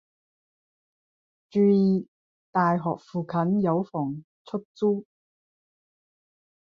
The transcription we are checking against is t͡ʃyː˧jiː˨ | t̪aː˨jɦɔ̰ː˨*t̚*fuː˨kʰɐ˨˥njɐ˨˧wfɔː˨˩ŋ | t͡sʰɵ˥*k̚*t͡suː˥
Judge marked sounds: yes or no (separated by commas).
no, yes